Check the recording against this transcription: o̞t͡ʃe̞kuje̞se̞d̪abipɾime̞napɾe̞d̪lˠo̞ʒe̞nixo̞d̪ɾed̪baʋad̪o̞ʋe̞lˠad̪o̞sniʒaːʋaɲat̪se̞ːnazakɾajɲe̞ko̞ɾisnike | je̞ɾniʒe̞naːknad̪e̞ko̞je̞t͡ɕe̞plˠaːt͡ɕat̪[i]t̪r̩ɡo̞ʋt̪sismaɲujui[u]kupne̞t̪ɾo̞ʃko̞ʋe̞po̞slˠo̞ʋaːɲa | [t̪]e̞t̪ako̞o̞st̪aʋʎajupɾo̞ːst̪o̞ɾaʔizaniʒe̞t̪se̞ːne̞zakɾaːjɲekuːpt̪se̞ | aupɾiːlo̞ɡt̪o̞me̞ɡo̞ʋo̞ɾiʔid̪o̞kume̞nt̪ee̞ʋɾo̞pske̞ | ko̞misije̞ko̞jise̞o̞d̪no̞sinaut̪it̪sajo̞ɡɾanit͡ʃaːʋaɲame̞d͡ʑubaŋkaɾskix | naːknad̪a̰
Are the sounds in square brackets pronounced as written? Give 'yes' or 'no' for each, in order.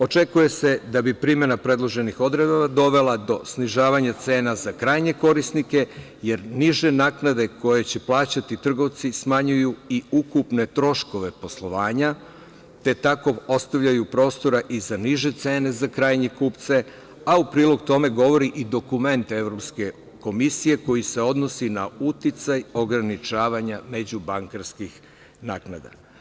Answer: yes, yes, yes

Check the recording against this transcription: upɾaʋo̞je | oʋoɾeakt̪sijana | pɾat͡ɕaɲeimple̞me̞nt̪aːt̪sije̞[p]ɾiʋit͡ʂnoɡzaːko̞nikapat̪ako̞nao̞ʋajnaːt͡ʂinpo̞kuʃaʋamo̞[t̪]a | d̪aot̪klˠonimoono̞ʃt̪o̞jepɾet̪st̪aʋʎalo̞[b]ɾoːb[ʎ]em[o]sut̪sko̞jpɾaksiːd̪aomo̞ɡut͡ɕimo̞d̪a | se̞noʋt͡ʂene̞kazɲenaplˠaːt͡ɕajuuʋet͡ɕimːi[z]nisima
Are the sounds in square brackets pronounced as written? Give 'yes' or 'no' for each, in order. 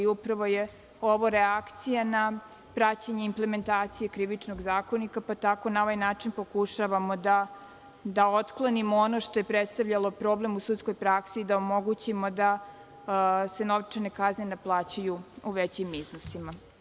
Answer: no, no, no, no, no, yes

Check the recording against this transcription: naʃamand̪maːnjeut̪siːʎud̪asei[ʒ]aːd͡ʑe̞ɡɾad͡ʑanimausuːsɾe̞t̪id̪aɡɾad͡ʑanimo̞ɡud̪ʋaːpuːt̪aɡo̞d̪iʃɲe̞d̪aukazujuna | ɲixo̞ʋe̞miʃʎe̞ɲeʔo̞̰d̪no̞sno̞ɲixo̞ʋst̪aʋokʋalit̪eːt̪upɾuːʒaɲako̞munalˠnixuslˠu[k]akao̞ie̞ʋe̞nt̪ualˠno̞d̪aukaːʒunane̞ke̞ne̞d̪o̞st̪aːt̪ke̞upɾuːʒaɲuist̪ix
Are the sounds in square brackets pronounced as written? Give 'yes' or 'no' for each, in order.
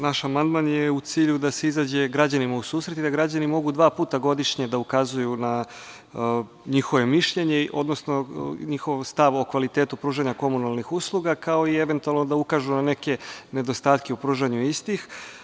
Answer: no, no

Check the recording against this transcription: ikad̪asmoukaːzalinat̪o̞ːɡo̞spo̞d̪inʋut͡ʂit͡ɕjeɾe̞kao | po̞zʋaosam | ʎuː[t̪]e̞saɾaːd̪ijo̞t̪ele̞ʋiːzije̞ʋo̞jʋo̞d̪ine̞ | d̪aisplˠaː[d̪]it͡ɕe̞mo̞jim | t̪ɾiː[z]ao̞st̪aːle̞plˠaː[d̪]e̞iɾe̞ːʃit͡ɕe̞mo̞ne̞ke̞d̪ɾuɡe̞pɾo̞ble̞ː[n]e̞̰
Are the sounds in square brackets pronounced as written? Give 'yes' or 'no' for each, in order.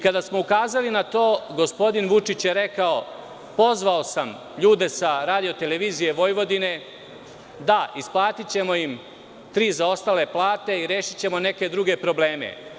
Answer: no, no, yes, no, no

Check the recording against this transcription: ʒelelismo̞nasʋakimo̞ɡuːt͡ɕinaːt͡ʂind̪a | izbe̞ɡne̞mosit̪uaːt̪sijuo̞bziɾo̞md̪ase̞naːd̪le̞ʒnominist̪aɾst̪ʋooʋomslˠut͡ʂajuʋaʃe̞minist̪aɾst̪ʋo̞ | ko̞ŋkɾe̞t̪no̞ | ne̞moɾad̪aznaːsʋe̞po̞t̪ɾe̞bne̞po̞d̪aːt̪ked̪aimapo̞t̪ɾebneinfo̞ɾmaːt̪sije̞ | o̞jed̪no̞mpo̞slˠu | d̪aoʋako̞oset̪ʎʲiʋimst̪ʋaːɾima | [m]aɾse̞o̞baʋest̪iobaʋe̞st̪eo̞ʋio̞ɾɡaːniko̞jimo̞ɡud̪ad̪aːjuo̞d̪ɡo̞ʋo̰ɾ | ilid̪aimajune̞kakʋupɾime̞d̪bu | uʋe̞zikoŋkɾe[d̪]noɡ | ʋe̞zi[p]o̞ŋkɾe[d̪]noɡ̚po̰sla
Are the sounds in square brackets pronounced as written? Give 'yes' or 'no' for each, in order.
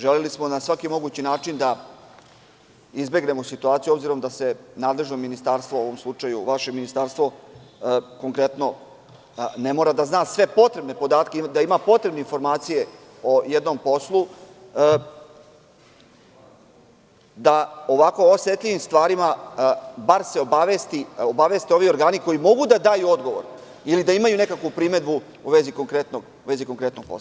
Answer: no, no, no, no

